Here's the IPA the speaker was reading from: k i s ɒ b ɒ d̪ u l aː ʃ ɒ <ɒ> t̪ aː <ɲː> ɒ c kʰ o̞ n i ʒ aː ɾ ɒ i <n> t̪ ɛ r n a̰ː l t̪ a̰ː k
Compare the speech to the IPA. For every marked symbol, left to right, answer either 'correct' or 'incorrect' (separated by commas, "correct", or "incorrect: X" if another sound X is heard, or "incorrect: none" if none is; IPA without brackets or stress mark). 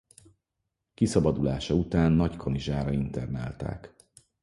incorrect: u, incorrect: nː, correct